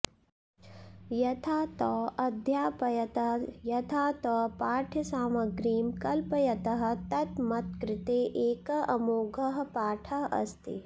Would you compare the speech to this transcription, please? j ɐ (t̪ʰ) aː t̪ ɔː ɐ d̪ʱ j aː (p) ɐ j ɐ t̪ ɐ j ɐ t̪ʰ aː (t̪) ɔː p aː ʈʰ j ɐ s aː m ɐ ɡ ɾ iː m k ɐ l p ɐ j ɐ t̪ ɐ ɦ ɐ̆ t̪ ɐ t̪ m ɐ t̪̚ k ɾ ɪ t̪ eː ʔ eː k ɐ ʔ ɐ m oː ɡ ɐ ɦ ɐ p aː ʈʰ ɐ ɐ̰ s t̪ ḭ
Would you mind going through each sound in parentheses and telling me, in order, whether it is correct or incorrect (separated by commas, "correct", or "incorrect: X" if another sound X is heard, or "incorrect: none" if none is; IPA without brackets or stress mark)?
correct, correct, correct